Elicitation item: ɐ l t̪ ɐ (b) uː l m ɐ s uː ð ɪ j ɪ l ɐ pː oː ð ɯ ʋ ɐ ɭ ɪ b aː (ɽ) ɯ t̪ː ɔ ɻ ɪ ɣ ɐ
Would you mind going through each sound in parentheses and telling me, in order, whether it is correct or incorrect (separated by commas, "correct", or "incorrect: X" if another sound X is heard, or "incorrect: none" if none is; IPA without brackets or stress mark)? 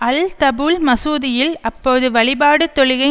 correct, correct